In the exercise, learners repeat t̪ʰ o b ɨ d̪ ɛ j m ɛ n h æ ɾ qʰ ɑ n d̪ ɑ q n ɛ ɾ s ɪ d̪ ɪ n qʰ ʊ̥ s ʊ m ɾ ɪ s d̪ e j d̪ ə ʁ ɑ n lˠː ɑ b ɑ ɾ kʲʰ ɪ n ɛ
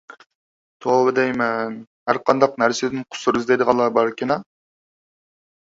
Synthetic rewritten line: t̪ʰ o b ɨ d̪ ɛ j m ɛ n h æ ɾ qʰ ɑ n d̪ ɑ q n æ ɾ s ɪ d̪ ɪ n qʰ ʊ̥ s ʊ ɾ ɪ z d̪ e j d̪ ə ʁ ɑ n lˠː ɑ b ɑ ɾ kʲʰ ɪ n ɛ

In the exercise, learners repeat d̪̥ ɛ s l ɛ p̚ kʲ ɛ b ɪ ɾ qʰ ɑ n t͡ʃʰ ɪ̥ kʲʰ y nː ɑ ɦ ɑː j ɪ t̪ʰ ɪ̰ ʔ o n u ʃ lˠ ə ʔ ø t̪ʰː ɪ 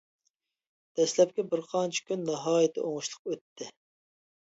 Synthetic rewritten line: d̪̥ ɛ s l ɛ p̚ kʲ ɛ b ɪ ɾ qʰ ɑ n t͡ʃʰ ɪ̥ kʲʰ y nː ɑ ɦ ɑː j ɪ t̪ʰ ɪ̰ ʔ o ŋ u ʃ lˠ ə q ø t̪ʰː ɪ

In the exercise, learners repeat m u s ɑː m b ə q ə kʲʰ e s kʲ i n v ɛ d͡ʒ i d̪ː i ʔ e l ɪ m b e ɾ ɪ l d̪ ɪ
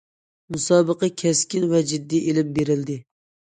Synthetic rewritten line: m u s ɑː b ə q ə kʲʰ ɛ s kʲ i n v ɛ d͡ʒ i d̪ː i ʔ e l ɪ m b e ɾ ɪ l d̪ ɪ

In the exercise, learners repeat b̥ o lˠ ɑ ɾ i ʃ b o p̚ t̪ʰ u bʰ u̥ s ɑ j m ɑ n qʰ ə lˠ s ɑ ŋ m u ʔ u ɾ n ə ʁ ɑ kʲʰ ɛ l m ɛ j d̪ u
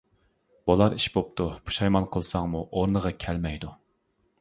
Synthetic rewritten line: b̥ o lˠ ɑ ɾ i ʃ b o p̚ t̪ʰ u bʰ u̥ ʃ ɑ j m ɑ n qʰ ə lˠ s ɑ ŋ m u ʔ o ɾ n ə ʁ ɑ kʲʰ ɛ l m ɛ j d̪ u

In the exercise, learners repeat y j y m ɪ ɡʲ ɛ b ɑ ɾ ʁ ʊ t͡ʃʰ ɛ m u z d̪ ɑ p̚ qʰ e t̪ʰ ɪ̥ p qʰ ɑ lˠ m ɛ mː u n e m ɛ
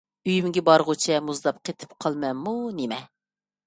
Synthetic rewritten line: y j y m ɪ ɡʲ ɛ b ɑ ɾ ʁ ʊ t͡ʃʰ ɛ m u z d̪ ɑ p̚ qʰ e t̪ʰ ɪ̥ p qʰ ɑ lˠ m ɛ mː u n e m ɛ

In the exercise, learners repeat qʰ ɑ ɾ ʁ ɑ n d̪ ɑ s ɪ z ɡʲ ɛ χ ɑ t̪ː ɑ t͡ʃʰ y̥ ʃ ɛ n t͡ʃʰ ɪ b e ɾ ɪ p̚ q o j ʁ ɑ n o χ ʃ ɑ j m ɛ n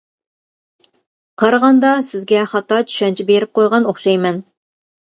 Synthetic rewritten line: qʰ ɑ ɾ ʁ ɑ n d̪ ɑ s ɪ z ɡʲ ɛ χ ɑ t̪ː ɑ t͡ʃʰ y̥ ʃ ɛ n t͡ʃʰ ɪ b e ɾ ɪ p̚ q o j ʁ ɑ n o χ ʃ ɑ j m ɛ n

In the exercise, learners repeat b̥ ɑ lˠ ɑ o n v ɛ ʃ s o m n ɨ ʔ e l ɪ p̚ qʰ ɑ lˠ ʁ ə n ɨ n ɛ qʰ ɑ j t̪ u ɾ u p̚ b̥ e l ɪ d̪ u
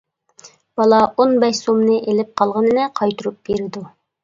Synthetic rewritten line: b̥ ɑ lˠ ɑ o n b ɛ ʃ s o m n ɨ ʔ e l ɪ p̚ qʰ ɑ lˠ ʁ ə n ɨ n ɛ qʰ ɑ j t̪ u ɾ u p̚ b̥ e ɾ ɪ d̪ u

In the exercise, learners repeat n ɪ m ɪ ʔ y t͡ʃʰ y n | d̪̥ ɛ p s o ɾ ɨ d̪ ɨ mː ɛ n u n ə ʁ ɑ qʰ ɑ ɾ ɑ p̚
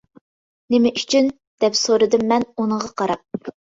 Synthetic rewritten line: n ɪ m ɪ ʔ y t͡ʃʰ y n | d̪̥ ɛ p s o ɾ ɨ d̪ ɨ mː ɛ n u n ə ʁ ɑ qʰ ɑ ɾ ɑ p̚

